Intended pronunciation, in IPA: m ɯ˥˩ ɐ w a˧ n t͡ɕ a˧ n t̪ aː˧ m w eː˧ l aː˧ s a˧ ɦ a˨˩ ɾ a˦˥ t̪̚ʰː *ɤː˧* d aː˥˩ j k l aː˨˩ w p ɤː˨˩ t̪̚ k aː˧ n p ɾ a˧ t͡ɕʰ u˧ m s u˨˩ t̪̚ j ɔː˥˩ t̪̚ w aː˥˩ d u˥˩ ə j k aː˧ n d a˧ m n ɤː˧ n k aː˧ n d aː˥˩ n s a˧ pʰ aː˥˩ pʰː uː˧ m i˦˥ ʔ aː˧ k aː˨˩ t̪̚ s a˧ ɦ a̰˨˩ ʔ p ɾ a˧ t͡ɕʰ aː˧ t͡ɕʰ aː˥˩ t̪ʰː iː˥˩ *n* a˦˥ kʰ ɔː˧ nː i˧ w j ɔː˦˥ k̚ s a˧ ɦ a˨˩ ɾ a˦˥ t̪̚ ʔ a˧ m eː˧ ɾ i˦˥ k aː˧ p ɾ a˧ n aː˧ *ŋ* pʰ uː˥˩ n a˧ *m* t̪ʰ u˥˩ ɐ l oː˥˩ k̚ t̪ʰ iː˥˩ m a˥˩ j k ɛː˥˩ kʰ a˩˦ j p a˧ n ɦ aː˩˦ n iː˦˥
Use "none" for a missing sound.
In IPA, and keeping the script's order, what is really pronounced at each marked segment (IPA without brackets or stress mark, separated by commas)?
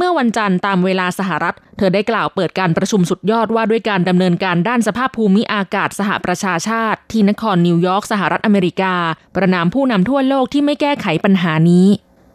ɤː˧, n, m, m